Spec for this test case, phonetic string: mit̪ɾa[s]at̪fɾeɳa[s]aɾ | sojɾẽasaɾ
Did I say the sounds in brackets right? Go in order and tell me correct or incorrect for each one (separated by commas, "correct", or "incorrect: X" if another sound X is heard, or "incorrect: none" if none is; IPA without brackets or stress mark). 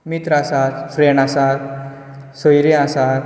correct, correct